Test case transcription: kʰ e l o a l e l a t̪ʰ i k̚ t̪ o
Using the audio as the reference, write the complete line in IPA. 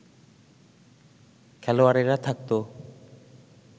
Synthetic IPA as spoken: kʰ ɛ l o a ɾ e ɾ a t̪ʰ a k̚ t̪ o